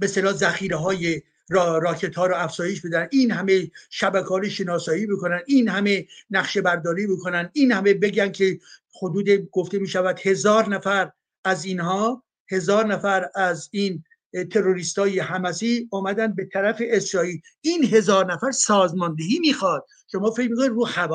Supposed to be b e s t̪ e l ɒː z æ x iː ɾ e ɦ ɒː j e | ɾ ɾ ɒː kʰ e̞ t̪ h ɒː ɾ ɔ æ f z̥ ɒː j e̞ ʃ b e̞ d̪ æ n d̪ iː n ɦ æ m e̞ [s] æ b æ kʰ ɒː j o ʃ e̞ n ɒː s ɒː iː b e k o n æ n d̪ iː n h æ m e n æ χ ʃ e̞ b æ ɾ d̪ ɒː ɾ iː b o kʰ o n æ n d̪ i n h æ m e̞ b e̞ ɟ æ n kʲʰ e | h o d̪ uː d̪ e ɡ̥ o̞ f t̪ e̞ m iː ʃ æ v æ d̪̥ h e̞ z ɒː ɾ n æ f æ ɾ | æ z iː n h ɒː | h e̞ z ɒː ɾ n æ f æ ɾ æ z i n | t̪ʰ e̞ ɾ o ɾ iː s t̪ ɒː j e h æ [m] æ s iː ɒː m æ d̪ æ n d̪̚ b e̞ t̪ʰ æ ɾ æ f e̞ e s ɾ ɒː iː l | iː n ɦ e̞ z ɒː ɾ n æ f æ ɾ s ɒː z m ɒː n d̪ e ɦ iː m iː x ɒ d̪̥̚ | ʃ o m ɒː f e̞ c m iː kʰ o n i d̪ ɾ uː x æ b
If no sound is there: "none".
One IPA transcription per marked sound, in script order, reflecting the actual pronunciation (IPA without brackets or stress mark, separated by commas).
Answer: ʃ, m